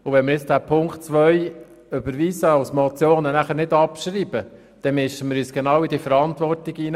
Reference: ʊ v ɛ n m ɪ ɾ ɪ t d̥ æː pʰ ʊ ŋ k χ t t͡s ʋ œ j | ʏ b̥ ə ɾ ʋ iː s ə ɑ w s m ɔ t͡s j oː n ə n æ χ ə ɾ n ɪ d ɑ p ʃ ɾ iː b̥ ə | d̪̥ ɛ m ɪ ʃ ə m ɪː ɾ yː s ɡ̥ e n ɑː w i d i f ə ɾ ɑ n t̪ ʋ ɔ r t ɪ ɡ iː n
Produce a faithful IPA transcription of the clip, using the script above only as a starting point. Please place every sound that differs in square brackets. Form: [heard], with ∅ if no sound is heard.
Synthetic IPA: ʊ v ɛ n m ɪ ɾ ɪ [t͡s] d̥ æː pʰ ʊ ŋ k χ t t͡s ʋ œ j | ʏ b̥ ə ɾ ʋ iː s ə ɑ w s m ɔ t͡s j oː n ə n æ χ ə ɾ n ɪ d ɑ p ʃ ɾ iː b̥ ə | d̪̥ ɛ m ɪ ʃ ə m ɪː ɾ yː s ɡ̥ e n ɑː w i d i f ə ɾ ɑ n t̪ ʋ ɔ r t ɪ ɡ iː n